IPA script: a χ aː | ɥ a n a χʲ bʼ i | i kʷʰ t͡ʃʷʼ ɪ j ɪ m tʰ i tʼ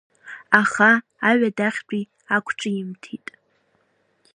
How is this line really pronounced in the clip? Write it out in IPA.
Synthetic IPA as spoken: a χ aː | ɥ a d a χʲ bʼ i | a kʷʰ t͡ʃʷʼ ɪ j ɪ m tʰ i tʼ